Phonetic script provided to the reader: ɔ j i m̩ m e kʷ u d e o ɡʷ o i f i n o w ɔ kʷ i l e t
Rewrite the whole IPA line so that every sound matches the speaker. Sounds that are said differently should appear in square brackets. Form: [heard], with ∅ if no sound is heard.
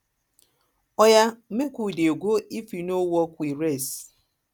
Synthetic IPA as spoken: ɔ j [a] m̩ m e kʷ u d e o ɡʷ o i f i n o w ɔ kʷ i [ɾ] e [s]

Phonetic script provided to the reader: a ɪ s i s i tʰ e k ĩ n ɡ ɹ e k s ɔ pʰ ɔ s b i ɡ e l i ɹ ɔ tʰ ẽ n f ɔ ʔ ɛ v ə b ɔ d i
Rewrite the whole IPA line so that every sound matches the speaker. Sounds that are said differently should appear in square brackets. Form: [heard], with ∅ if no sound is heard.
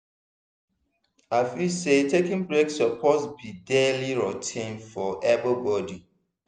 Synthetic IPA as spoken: a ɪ [f] i s [e] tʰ e k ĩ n [b] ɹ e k s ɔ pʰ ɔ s b i [d] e l i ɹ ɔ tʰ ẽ n f ɔ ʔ ɛ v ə b ɔ d i

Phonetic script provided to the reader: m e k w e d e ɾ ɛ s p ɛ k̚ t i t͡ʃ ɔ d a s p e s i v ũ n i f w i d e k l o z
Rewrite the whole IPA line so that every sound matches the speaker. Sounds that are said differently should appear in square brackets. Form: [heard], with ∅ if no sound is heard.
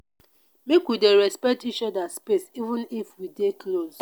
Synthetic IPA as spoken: m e k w [i] d e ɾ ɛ s p ɛ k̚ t i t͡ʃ ɔ d a s p e s i v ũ n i f w i d e k l o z

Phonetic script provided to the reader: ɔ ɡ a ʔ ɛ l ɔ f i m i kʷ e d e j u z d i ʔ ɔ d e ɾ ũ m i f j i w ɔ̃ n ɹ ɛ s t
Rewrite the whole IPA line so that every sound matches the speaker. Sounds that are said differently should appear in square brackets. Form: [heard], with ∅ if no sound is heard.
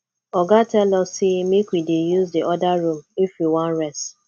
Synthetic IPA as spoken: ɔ ɡ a [t] ɛ l ɔ [s] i m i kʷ [i] d e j u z d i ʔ ɔ d [a] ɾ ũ m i f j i w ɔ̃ n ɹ ɛ s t

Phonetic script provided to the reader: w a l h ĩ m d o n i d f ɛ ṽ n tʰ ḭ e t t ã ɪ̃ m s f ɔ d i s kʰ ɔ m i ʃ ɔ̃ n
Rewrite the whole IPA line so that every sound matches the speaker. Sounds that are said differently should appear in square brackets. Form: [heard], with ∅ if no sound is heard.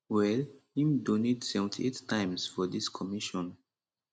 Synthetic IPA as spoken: w [ɛ] l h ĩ m d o n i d [s] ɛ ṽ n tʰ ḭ e t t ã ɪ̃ m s f ɔ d i s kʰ ɔ m i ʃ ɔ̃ n

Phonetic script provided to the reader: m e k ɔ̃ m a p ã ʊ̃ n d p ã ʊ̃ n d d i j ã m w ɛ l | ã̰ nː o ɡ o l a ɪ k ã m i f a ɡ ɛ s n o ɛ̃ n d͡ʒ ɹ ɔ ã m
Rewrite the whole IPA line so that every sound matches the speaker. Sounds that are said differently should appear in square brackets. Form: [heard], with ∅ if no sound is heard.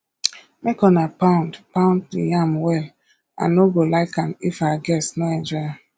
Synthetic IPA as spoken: m e k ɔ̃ [n] a p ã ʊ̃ n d p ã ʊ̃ n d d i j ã m w ɛ l | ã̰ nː o ɡ o l a ɪ k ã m i f a ɡ ɛ s n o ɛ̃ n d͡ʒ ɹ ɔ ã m

